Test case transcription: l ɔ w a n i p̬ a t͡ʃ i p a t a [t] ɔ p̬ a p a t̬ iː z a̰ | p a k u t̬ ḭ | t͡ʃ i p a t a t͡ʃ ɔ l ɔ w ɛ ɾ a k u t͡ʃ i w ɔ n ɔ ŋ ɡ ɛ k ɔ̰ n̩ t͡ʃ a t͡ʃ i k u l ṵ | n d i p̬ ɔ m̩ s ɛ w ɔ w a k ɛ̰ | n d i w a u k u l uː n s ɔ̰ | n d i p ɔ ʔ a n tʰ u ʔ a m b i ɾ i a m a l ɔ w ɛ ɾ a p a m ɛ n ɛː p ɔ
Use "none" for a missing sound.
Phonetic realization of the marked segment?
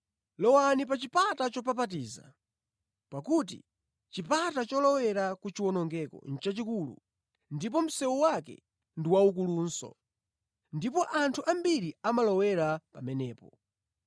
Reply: t͡ʃ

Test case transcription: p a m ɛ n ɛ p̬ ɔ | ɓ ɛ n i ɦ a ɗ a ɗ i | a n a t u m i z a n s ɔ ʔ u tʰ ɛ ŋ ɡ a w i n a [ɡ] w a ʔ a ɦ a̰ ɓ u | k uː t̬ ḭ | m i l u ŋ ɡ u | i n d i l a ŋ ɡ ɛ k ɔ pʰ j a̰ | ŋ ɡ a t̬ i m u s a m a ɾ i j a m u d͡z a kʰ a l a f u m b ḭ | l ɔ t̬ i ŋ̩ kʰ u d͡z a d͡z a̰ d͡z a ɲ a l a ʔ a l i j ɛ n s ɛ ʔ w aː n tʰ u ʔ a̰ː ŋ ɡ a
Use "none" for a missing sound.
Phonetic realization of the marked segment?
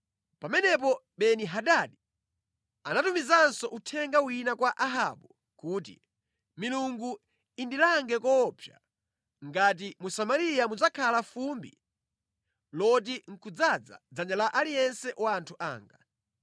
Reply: k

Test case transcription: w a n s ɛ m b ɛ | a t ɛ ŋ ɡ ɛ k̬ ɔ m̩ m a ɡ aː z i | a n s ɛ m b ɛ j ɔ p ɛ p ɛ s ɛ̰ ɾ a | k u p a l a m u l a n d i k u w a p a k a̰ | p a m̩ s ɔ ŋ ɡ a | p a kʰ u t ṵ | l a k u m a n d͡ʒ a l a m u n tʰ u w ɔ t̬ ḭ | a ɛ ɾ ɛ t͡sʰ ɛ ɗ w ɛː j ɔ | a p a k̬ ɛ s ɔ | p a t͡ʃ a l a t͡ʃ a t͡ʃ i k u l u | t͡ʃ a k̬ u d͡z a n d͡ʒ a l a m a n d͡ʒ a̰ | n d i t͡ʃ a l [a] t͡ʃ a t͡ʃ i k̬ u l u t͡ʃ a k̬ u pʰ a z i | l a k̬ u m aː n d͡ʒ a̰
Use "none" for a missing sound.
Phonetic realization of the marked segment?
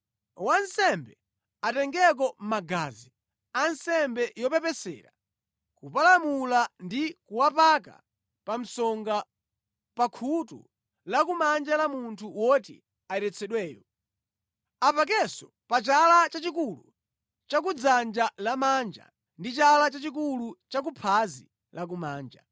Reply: a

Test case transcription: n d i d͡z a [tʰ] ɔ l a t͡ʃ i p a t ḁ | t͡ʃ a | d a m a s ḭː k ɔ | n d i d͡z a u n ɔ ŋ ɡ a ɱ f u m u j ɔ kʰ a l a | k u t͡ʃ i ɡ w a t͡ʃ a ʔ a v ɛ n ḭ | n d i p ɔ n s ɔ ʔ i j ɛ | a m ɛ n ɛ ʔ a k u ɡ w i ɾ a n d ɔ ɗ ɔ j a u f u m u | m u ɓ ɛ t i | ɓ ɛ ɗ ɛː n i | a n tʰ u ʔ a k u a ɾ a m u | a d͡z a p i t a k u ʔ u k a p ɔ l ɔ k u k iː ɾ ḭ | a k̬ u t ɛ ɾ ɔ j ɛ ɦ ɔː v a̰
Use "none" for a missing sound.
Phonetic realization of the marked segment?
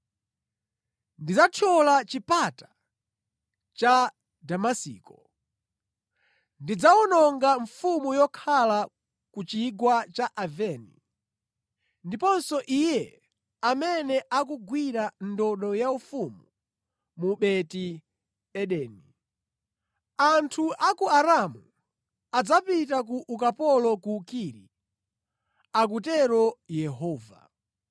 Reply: tʰ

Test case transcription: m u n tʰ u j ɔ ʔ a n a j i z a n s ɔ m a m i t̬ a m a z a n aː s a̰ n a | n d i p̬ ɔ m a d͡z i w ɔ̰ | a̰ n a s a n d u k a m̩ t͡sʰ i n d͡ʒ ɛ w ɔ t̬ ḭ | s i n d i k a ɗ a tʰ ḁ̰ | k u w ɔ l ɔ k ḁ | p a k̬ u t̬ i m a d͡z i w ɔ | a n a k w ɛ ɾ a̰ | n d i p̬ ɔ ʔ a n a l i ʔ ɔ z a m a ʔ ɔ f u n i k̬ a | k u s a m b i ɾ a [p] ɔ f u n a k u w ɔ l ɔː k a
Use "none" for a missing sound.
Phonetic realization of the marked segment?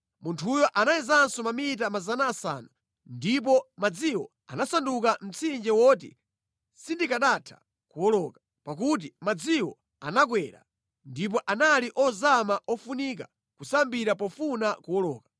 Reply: p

